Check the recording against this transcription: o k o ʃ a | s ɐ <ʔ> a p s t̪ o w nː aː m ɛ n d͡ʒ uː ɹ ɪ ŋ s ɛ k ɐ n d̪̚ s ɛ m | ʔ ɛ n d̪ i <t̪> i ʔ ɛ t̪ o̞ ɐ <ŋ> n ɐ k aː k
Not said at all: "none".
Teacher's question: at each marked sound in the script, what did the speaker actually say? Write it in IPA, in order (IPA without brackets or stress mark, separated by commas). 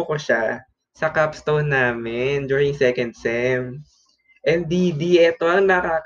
k, d̪, ŋ